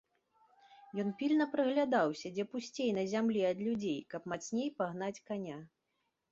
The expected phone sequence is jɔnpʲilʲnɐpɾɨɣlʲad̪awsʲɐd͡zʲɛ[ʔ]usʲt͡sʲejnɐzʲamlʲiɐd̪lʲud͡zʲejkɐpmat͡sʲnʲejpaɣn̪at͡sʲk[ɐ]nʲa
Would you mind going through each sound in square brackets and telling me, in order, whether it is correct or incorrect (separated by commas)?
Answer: incorrect, incorrect